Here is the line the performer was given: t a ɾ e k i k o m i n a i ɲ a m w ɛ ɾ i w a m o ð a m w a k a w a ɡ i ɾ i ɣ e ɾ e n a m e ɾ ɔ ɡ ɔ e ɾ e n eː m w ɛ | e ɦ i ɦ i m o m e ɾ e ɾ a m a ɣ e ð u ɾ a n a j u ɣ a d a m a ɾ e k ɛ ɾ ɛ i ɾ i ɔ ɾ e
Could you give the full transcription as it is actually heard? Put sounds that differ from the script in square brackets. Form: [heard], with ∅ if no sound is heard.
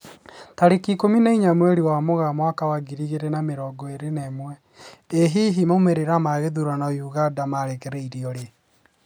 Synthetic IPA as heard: t a ɾ e k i k o m i n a i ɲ a m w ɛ ɾ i w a m o [ɣ] a m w a k a w a ɡ i ɾ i ɣ e ɾ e n a m e ɾ ɔ ɡ ɔ e ɾ e n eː m w ɛ | e ɦ i ɦ i m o m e ɾ e ɾ a m a ɣ e ð u ɾ a n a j u ɣ a d a m a ɾ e k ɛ ɾ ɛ i ɾ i ɔ ɾ e